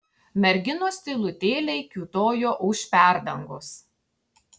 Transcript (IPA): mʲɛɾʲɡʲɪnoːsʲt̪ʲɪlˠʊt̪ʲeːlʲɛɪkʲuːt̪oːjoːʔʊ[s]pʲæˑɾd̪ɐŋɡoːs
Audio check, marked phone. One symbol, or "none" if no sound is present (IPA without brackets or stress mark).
ʃ